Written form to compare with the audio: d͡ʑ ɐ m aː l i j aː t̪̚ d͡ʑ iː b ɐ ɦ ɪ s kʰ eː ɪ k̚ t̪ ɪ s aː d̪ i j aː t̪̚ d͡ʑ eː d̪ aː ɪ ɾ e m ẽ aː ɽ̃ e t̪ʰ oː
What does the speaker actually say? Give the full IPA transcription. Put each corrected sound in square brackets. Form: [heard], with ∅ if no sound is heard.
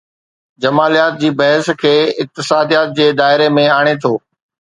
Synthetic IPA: d͡ʑ ɐ m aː l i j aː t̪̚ d͡ʑ iː b ɐ ɦ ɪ s kʰ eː ɪ k̚ t̪ ɪ s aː d̪ i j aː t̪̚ d͡ʑ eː d̪ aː ɪ ɾ e m ẽ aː ɽ̃ e t̪ʰ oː

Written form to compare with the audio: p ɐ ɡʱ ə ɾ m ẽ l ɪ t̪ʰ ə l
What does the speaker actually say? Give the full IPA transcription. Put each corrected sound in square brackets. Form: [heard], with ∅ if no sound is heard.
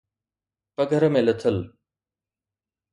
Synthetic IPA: p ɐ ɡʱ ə ɾ m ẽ l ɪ t̪ʰ ə l

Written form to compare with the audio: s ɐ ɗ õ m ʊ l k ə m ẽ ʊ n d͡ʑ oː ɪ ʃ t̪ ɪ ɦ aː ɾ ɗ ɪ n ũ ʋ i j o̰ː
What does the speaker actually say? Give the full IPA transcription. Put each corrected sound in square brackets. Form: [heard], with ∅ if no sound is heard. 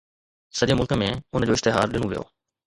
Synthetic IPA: s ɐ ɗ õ m ʊ l k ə m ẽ ʊ n d͡ʑ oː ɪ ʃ t̪ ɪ ɦ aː ɾ ɗ ɪ n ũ ʋ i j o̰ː

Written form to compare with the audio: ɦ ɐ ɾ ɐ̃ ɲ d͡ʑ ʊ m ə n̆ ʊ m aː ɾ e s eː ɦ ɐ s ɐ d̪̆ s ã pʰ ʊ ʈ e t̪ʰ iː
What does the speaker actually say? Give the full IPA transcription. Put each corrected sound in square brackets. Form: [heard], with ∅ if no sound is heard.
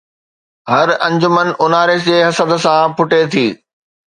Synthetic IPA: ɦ ɐ ɾ ɐ̃ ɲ d͡ʑ ʊ m ə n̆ ʊ [n] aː ɾ e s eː ɦ ɐ s [ə] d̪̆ s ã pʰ ʊ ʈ e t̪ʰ iː

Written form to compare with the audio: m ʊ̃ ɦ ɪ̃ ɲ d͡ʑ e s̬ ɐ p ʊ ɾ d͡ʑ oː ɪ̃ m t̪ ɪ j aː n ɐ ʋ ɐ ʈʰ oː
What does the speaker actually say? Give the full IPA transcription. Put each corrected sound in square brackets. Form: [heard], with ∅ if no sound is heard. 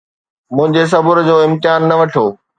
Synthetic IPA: m ʊ̃ ɦ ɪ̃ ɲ d͡ʑ e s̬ ɐ [b] ʊ ɾ d͡ʑ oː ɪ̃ m t̪ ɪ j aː [nː] ɐ ʋ ɐ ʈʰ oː

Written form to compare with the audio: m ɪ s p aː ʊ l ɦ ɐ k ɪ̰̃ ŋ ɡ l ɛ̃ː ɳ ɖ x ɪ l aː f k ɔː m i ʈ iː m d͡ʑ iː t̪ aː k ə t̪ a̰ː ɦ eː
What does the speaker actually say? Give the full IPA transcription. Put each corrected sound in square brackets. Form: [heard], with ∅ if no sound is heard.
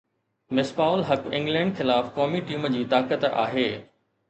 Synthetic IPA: m ɪ s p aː ʊ l ɦ ɐ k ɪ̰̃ ŋ ɡ l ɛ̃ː ɳ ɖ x ɪ l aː f k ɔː m i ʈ iː m d͡ʑ iː t̪ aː k ə t̪ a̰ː ɦ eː

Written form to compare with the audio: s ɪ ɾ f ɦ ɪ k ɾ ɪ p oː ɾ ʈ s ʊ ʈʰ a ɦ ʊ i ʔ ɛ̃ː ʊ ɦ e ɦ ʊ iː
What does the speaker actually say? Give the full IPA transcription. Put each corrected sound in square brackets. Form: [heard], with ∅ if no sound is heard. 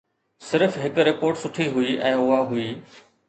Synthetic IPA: s ɪ ɾ f ɦ ɪ k ɾ ɪ p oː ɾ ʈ s ʊ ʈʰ [i] ɦ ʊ i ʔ ɛ̃ː ʊ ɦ [a] ɦ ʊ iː

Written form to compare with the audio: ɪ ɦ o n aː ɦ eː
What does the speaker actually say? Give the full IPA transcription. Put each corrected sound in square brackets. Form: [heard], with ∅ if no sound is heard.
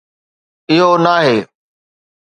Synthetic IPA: ɪ ɦ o n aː ɦ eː

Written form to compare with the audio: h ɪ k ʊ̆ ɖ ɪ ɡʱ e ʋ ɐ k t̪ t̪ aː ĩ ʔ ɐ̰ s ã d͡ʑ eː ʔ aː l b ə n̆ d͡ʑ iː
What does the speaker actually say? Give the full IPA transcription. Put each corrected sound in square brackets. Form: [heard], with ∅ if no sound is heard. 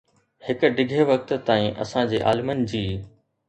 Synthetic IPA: h ɪ k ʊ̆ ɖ ɪ ɡʱ e ʋ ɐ k t̪ t̪ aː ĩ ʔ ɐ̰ s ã d͡ʑ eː ʔ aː l [m] ə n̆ d͡ʑ iː

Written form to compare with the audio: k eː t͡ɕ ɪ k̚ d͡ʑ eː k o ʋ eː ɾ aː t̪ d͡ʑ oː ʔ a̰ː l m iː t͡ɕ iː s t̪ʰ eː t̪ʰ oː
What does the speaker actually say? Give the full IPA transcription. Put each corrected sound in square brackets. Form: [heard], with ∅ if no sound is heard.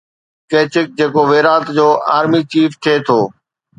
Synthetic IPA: k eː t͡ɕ ɪ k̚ d͡ʑ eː k o ʋ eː ɾ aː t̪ d͡ʑ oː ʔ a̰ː [ɾ] m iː t͡ɕ iː [f] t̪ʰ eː t̪ʰ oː

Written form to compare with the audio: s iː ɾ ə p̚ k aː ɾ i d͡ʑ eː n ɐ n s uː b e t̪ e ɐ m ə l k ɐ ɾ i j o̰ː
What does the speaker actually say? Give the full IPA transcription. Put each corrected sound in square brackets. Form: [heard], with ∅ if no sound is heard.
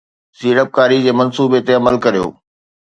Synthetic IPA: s iː ɾ ə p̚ k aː ɾ i d͡ʑ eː [m] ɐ n s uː b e t̪ e ɐ m ə l k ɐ ɾ i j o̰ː

